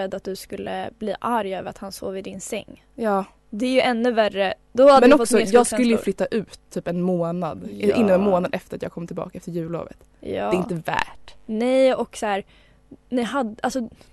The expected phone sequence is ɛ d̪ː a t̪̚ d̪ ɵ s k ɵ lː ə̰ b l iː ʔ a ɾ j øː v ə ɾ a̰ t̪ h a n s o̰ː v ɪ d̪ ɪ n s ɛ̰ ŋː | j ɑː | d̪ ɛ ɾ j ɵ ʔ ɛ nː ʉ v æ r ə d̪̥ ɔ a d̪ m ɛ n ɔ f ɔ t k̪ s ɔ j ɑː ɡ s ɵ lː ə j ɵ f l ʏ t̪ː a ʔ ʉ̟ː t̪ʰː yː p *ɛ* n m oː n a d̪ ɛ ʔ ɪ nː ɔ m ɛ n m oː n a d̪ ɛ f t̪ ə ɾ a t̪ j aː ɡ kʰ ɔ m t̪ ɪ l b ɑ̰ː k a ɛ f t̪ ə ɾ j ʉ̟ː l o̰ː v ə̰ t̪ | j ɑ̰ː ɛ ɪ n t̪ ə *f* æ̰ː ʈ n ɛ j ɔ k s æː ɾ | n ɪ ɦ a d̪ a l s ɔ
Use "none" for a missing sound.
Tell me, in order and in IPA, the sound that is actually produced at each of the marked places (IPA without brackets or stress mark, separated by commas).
ɛ, v